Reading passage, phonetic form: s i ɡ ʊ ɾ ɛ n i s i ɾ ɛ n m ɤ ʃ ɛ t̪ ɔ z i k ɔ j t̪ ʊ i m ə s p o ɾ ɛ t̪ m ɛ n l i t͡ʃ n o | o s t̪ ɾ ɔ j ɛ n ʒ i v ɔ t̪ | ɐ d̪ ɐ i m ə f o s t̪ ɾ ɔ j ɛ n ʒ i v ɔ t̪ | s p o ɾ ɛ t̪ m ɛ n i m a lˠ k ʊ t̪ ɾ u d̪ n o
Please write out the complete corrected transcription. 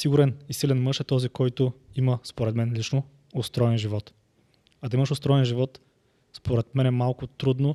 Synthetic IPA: s i ɡ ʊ ɾ ɛ n i s i l ɛ n m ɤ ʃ ɛ t̪ ɔ z i k ɔ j t̪ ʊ i m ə s p o ɾ ɛ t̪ m ɛ n l i t͡ʃ n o | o s t̪ ɾ ɔ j ɛ n ʒ i v ɔ t̪ | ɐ d̪ ɐ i m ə ʃ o s t̪ ɾ ɔ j ɛ n ʒ i v ɔ t̪ | s p o ɾ ɛ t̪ m ɛ n ɛ m a lˠ k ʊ t̪ ɾ u d̪ n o